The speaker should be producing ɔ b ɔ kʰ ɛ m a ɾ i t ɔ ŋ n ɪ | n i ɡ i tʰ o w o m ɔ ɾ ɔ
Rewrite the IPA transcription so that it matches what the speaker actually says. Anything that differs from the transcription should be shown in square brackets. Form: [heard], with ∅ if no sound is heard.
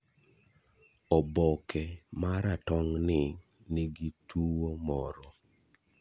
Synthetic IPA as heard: ɔ b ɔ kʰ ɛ m a ɾ [a] t ɔ ŋ n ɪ | n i ɡ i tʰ [u] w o m ɔ ɾ ɔ